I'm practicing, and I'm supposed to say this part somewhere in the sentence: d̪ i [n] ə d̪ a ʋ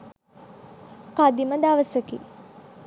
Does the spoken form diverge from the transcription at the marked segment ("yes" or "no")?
yes